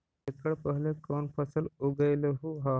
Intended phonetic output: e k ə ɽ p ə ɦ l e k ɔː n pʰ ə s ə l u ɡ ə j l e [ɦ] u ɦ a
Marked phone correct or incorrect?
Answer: correct